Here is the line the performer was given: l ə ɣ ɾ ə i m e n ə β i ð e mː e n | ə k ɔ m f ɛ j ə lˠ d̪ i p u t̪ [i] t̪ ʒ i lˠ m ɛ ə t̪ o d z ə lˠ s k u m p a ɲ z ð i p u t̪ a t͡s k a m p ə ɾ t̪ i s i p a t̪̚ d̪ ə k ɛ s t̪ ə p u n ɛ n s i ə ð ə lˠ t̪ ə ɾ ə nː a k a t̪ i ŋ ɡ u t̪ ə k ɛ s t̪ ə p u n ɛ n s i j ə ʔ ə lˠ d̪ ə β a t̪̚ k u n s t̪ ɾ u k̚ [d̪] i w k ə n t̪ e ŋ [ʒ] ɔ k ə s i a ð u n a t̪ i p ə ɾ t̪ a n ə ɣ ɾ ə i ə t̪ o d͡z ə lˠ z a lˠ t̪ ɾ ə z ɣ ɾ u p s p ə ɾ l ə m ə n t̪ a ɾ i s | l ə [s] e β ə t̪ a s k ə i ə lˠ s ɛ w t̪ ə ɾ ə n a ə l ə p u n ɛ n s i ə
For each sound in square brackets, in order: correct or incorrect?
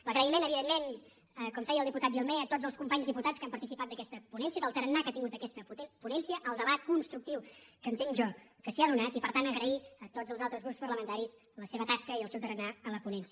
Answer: incorrect, incorrect, correct, correct

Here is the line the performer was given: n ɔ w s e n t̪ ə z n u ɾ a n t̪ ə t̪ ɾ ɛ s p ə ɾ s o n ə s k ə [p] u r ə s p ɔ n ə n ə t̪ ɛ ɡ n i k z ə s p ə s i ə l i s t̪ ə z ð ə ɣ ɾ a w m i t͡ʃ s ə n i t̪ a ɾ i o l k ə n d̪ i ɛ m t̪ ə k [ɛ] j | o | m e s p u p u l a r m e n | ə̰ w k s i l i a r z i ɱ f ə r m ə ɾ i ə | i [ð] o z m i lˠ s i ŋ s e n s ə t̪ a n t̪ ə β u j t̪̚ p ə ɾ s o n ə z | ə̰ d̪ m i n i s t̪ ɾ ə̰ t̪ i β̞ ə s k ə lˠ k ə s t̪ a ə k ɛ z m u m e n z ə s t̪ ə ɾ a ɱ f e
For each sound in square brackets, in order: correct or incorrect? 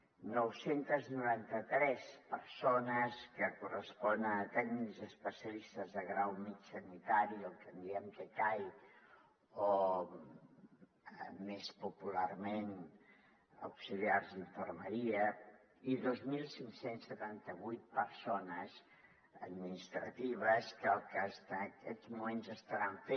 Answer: incorrect, incorrect, correct

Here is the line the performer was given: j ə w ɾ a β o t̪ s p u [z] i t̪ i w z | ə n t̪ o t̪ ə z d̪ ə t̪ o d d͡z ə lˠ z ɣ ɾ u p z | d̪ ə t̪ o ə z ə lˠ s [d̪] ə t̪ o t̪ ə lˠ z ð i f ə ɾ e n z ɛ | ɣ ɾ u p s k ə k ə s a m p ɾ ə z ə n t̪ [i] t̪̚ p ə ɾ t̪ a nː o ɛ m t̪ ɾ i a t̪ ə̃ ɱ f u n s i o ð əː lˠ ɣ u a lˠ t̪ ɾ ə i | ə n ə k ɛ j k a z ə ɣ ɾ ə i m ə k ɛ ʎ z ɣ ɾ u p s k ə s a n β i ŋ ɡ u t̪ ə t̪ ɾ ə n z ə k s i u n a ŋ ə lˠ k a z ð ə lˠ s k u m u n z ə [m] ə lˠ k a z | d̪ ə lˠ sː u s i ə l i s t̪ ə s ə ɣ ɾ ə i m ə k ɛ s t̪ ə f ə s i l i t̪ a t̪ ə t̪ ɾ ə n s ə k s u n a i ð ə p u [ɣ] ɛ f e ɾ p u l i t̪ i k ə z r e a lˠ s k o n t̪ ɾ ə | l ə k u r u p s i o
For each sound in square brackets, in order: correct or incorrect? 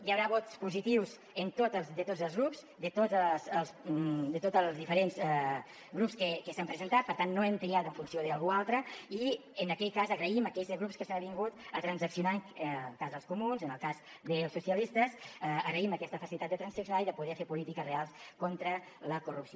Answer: correct, correct, incorrect, incorrect, incorrect

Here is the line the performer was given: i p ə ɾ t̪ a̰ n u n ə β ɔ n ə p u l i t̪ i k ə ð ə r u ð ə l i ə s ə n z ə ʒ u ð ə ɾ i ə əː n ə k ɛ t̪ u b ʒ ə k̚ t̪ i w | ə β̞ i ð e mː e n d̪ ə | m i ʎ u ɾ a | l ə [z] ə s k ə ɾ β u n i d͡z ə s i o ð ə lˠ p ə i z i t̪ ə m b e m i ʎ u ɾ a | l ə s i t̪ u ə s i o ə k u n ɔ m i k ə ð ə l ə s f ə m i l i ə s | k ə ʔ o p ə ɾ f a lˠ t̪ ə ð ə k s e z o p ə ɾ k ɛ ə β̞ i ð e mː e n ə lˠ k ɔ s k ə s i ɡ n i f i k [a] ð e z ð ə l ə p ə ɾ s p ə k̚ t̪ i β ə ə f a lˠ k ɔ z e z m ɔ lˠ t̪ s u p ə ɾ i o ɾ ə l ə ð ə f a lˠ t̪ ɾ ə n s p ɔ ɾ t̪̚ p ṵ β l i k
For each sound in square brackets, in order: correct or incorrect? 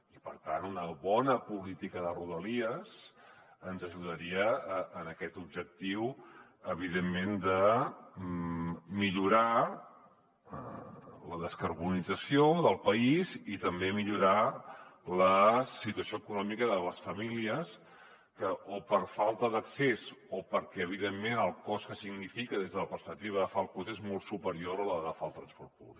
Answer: incorrect, incorrect

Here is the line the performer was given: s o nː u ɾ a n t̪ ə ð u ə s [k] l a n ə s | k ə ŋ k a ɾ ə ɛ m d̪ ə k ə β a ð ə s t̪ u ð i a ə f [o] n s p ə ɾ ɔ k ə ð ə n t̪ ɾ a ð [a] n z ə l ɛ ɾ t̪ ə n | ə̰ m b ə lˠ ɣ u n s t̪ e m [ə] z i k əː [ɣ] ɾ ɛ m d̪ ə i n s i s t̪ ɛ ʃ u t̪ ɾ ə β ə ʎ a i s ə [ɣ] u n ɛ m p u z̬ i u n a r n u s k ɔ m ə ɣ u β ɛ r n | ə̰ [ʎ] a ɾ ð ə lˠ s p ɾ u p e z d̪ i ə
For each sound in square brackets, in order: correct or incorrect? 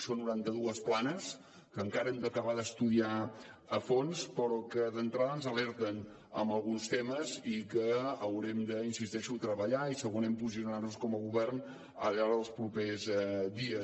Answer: incorrect, correct, incorrect, correct, incorrect, correct, correct

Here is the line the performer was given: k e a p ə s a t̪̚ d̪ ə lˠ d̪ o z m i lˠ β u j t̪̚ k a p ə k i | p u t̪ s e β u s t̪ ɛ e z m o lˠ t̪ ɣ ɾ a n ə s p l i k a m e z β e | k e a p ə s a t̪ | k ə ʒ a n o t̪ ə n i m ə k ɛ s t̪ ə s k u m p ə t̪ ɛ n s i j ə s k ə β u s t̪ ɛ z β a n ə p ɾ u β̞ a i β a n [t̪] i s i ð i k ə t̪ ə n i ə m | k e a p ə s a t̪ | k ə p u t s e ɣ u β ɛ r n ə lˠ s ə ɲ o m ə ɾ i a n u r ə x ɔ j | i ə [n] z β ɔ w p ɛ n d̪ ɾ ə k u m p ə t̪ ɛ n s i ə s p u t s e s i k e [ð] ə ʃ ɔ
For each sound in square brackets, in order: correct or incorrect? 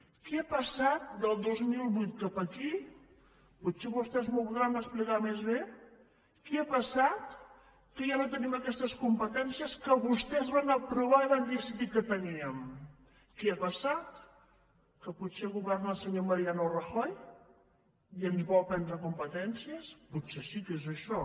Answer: incorrect, correct, incorrect

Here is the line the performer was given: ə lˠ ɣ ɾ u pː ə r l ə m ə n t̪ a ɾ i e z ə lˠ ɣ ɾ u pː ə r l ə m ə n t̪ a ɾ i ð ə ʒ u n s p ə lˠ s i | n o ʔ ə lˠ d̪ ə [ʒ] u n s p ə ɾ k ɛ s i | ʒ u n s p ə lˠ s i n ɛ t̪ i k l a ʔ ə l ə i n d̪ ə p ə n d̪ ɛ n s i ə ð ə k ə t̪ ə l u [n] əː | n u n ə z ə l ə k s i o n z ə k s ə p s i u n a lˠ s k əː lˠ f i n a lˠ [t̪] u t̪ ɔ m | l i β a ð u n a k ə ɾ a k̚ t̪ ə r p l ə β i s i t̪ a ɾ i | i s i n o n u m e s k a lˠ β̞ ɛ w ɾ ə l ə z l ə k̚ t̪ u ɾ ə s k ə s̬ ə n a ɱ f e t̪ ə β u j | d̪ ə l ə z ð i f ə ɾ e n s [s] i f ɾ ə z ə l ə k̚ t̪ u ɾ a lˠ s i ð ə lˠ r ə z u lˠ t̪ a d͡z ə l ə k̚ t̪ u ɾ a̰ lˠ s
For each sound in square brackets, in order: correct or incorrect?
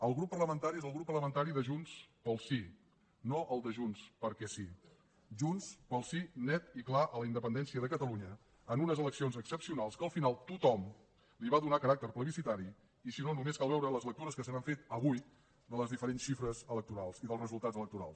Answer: correct, incorrect, correct, incorrect

